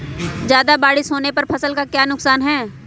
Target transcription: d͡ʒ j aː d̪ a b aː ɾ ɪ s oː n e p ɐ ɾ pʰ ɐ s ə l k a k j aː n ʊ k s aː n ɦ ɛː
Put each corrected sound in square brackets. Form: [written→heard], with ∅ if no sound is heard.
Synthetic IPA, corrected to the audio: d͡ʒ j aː d̪ a b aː [ɾ→ɽ] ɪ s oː n e p ɐ ɾ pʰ ɐ s ə l k a k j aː n ʊ k s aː n ɦ ɛː